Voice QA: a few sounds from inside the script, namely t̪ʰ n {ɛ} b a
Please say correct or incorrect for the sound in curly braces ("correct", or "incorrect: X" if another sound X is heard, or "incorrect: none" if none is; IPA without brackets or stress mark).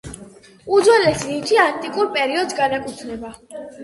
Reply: correct